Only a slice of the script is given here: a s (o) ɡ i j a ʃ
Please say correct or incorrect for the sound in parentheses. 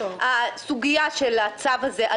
incorrect